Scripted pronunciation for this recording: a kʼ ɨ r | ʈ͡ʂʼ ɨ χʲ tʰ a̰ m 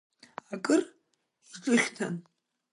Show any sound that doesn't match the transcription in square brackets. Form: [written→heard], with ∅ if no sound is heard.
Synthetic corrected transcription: a kʼ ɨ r | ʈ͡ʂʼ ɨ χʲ tʰ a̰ [m→n]